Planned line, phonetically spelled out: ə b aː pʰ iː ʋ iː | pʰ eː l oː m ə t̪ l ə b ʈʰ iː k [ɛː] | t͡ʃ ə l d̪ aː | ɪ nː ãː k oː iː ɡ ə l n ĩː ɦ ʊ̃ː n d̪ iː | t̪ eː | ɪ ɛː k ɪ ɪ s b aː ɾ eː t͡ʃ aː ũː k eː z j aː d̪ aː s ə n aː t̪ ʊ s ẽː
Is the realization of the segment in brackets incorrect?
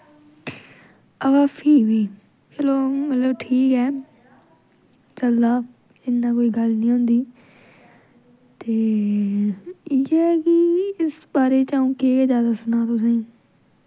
no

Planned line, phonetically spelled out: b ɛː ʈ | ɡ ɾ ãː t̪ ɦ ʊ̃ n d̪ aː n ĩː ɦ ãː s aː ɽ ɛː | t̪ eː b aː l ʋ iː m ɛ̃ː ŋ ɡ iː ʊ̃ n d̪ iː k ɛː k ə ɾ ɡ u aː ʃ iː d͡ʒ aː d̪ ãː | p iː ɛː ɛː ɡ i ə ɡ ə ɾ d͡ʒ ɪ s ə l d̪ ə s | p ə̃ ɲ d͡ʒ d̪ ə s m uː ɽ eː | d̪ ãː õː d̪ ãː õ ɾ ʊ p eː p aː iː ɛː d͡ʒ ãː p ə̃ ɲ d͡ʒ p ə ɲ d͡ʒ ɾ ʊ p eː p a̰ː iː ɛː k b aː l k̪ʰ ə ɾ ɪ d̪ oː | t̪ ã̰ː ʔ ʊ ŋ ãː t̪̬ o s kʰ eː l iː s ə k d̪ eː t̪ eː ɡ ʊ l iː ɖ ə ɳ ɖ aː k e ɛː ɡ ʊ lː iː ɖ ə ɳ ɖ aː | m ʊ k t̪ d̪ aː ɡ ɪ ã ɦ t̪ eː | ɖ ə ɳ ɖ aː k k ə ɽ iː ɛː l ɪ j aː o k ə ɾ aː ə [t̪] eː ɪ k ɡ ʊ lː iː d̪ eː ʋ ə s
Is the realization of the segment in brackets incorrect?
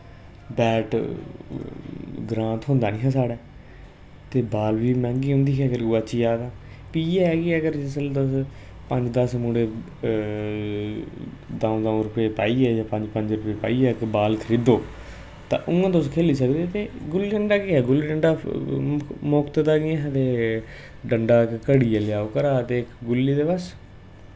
no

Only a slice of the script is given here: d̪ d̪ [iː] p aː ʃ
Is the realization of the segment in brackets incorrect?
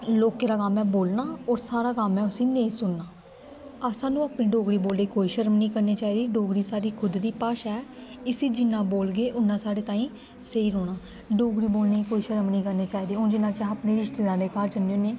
no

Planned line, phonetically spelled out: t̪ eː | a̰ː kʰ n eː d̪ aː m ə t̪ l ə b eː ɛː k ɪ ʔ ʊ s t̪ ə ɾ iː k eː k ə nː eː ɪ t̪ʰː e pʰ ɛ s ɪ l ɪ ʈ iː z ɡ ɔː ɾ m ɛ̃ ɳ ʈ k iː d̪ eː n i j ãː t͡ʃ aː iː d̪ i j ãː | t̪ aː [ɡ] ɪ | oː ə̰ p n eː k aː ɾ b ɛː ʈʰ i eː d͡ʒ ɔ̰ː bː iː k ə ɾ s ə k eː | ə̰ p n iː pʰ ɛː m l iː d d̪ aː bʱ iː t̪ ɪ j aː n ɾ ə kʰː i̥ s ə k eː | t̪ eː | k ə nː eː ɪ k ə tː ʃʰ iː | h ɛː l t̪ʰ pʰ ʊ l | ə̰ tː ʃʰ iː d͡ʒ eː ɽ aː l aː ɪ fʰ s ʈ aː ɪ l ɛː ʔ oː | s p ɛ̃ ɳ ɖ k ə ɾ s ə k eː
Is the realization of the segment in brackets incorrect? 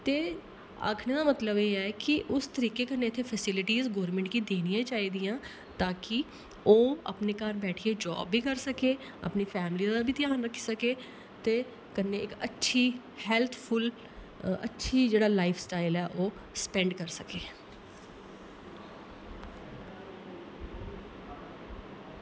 yes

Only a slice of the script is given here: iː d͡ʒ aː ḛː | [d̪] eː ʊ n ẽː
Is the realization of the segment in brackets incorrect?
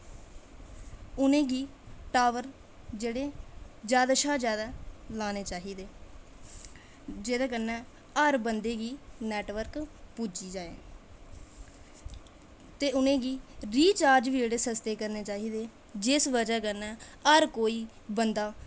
yes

